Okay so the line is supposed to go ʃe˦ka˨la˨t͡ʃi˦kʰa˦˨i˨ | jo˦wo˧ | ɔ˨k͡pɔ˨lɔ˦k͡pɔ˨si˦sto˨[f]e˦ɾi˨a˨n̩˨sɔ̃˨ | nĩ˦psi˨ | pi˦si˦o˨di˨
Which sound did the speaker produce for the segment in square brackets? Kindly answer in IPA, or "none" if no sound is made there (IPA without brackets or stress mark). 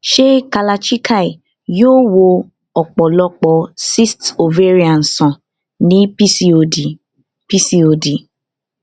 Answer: v